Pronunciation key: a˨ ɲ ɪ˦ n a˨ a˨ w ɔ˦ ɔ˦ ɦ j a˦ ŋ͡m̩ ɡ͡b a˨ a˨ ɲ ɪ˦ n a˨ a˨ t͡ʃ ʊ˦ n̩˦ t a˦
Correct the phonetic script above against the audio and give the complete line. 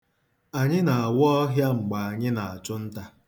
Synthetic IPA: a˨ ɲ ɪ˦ n a˨ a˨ w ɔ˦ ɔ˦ ɦ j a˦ ŋ͡m̩ ɡ͡b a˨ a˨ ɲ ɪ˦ n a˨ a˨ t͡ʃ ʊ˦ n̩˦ t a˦

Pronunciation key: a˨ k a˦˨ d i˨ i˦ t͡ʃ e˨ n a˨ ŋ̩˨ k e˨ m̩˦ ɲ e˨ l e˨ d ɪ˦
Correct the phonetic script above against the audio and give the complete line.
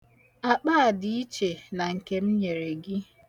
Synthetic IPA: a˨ k͡p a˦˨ d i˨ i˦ t͡ʃ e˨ n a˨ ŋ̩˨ k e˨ m̩˦ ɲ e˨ ɾ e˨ ɡ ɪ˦

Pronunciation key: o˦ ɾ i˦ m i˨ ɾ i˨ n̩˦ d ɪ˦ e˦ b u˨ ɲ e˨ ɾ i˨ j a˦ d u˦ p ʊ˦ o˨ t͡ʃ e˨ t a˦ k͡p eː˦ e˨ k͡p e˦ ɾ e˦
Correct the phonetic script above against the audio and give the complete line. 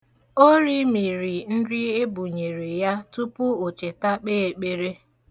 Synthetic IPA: o˦ ɾ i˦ m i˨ ɾ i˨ n̩˦ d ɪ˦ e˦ b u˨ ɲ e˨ ɾ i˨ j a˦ t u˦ p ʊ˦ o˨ t͡ʃ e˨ t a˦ k͡p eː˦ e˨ k͡p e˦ ɾ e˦

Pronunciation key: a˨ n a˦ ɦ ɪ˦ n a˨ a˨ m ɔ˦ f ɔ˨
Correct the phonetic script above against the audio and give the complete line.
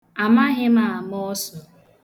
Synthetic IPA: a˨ m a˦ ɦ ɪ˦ m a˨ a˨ m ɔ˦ s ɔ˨

